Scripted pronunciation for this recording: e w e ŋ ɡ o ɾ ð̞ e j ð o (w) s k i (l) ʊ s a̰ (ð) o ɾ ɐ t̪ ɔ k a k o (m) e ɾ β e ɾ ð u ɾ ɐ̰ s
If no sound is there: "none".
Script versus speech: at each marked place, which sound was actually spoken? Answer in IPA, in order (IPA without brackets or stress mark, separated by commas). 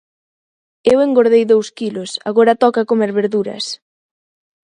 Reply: w, l, ɣ, m